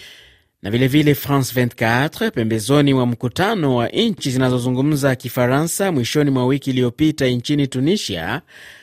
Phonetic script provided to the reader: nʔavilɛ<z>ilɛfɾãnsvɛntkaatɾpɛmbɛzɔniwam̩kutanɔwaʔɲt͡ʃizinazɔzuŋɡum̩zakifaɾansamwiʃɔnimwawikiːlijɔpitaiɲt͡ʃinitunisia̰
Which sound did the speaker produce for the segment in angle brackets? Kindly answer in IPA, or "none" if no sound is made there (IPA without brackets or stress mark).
v